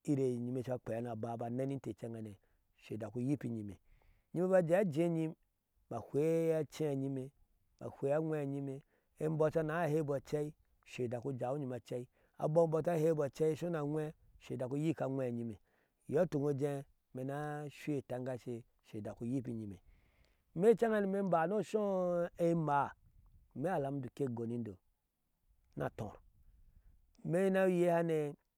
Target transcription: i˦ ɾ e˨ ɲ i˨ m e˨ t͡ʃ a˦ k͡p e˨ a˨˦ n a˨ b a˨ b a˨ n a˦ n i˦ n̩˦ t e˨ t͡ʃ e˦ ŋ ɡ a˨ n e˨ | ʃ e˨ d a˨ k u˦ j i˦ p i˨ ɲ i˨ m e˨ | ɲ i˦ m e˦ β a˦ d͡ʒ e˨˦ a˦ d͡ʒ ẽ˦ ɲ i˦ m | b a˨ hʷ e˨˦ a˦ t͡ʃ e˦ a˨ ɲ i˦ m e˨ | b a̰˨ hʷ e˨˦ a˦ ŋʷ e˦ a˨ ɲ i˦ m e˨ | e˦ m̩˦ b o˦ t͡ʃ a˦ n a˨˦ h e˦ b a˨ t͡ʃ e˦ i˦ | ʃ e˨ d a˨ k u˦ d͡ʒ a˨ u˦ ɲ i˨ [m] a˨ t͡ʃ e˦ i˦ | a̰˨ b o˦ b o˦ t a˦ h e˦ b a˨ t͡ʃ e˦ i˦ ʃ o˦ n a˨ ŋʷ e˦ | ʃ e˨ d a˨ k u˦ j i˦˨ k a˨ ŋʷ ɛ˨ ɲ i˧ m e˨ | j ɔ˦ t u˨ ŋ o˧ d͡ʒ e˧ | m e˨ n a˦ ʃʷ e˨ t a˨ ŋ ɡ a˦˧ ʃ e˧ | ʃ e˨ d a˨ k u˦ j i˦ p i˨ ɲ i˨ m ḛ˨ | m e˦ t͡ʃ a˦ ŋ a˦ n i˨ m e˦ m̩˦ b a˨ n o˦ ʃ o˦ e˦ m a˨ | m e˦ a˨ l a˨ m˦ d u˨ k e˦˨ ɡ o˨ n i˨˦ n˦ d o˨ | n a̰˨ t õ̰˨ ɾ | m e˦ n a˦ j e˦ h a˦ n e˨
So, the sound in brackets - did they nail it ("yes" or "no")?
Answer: yes